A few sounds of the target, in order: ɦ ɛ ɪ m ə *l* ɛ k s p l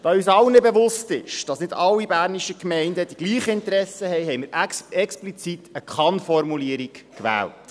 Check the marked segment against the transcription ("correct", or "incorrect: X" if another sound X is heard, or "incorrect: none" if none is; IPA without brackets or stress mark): incorrect: ɾ